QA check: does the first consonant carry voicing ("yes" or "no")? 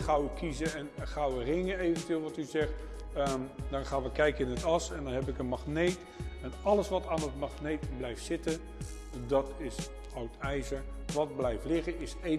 no